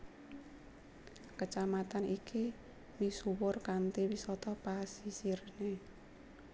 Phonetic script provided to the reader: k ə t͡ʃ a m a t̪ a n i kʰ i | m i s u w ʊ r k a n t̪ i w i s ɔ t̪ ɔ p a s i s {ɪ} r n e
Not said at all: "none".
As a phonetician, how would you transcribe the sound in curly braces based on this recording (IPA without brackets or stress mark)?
i